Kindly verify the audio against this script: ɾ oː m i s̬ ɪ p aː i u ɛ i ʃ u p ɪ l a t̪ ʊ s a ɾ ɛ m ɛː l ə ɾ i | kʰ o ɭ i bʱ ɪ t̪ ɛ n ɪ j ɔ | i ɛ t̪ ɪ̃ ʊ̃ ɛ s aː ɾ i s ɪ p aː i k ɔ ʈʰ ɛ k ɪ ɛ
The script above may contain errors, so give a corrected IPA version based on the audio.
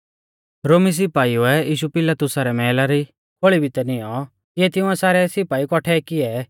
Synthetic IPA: ɾ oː m i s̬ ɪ p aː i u ɛ iː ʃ u p ɪ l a t̪ ʊ s a ɾ ɛ m ɛː l a ɾ i | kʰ o ɭ i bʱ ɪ t̪ ɛ n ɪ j ɔ | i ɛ t̪ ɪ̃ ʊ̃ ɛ s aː ɾ ɛ s ɪ p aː i k ɔ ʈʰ ɛ k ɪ ɛ

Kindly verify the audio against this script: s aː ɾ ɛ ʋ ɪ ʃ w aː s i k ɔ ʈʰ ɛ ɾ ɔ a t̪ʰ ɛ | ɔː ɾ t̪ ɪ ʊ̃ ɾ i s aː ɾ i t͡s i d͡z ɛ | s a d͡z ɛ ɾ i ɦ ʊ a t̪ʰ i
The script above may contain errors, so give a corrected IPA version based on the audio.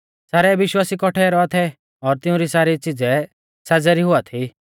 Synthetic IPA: s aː ɾ ɛ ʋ ɪ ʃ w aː s i k ɔ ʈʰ ɛ ɾ ɔ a t̪ʰ ɛ | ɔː ɾ t̪ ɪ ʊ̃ ɾ i s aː ɾ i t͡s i d͡z ɛ | s a d͡z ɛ ɾ i ɦ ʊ a t̪ʰ i

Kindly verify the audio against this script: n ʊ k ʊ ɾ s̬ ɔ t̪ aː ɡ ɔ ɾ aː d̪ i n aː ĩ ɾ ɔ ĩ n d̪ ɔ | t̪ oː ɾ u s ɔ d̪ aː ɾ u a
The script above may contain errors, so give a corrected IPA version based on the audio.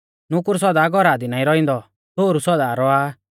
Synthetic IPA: n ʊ k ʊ ɾ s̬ ɔ d̪ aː ɡ ɔ ɾ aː d̪ i n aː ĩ ɾ ɔ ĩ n d̪ ɔ | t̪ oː ɾ u s ɔ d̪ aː ɾ ɔ a

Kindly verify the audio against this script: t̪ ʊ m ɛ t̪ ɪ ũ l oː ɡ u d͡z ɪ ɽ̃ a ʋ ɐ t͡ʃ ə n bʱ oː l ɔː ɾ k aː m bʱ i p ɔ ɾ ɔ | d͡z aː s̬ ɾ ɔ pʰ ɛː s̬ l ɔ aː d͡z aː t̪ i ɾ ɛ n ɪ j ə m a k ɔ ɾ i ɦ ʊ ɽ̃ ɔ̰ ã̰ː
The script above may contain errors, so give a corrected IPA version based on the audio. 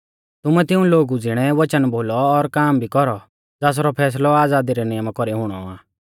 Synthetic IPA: t̪ ʊ m ɛ t̪ ɪ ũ l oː ɡ u d͡z ɪ ɽ̃ ɛ ʋ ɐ t͡ʃ ə n bʱ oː l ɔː ɾ k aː m bʱ i k ɔ ɾ ɔ | d͡z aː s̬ ɾ ɔ pʰ ɛː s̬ l ɔ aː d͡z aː d̪ i ɾ ɛ n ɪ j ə m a k ɔ ɾ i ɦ ʊ ɽ̃ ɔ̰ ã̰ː

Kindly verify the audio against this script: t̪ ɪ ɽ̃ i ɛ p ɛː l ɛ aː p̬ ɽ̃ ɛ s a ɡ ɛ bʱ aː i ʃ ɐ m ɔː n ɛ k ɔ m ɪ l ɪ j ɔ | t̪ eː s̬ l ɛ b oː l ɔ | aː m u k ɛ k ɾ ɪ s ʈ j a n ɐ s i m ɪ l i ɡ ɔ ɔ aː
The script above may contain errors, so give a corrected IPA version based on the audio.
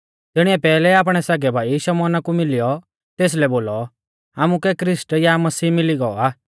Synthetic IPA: t̪ ɪ ɽ̃ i ɛ p ɛː l ɛ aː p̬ ɽ̃ ɛ s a ɡ ɛ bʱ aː i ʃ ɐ m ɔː n a k u m ɪ l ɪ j ɔ | t̪ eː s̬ l ɛ b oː l ɔ | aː m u k ɛ k ɾ ɪ s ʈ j a m ɐ s iː m ɪ l i ɡ ɔ ɔ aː

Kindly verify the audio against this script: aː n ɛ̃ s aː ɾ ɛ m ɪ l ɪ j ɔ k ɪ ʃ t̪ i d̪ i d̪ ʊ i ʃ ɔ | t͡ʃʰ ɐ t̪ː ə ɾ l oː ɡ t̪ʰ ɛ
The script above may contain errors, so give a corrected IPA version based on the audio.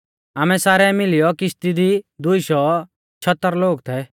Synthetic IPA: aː m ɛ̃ s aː ɾ ɛ m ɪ l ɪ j ɔ k ɪ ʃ t̪ i d̪ i d̪ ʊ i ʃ ɔ | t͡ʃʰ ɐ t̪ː ə ɾ l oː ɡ t̪ʰ ɛ

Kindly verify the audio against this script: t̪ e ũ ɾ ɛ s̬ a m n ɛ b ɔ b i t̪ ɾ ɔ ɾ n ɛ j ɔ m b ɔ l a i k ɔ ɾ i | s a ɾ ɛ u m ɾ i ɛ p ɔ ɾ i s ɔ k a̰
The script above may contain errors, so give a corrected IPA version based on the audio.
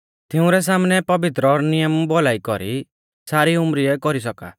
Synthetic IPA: t̪ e ũ ɾ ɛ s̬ a m n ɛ p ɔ b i t̪ ɾ ɔ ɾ n i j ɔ m b ɔ l a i k ɔ ɾ i | s a ɾ i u m ɾ i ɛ k ɔ ɾ i s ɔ k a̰

